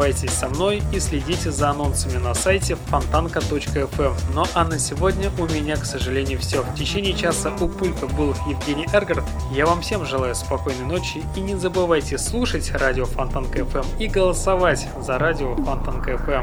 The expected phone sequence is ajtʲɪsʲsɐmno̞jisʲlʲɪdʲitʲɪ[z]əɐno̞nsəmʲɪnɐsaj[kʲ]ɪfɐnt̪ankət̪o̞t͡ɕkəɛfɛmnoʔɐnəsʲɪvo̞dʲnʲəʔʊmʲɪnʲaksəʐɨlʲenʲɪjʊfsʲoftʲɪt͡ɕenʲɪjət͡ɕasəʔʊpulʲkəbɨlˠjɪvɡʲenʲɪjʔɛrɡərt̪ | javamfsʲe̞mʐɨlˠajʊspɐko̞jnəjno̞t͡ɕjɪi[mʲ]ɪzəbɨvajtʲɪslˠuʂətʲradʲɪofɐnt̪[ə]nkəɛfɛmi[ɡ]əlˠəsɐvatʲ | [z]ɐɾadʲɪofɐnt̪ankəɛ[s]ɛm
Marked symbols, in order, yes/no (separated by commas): yes, no, no, no, yes, yes, no